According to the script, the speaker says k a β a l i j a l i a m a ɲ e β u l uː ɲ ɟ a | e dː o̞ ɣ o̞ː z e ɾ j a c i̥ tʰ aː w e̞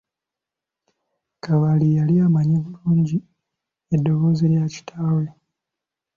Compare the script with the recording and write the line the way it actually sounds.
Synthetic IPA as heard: k a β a l i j a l i a m a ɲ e β u l uː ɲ ɟ i | e dː o̞ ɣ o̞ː z e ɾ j a c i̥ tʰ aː w e̞